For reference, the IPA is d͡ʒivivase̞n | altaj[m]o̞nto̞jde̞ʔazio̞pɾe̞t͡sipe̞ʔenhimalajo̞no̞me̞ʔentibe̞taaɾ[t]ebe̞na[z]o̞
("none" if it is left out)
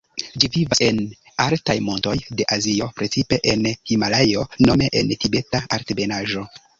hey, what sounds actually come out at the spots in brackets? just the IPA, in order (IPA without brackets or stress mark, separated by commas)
m, t, ʒ